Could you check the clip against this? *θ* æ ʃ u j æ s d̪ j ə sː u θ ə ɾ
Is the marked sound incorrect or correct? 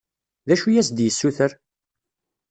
incorrect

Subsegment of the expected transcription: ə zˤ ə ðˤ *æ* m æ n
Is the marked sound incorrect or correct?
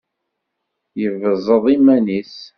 incorrect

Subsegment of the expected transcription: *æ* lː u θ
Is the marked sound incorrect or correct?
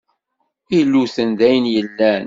incorrect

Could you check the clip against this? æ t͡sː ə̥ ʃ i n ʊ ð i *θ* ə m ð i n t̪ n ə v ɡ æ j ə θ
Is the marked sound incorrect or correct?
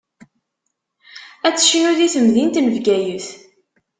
correct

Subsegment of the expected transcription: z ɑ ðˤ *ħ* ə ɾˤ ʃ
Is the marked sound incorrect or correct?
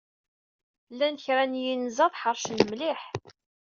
correct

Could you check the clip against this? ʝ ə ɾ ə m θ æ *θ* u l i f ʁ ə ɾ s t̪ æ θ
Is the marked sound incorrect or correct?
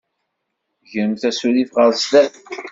incorrect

